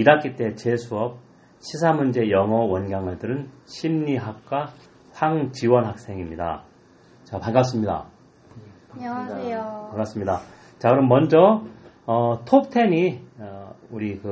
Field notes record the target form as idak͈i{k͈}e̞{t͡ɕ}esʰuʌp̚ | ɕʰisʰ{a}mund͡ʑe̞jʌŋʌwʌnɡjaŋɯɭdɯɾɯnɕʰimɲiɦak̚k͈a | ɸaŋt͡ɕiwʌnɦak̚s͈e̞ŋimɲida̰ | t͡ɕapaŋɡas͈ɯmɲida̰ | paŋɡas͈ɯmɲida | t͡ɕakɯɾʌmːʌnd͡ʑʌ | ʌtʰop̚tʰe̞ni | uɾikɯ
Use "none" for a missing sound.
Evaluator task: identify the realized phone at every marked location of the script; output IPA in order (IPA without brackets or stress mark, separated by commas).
t͈, t͡ɕ, a